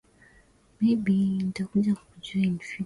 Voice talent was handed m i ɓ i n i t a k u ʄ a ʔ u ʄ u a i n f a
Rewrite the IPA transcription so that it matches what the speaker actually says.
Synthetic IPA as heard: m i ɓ i n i t a k u ʄ a k u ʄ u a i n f i